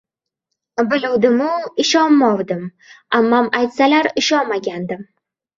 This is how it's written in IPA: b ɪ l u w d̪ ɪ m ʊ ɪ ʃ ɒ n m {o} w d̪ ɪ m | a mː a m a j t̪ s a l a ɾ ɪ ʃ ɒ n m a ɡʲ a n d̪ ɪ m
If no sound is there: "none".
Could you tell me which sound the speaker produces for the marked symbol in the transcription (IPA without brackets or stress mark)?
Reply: ɒ